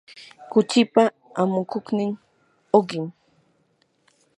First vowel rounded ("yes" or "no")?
yes